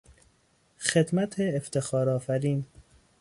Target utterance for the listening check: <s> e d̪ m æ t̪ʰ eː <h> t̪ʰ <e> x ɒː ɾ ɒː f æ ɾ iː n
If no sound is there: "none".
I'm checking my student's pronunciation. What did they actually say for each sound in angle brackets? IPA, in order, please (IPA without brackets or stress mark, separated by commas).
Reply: x, f, e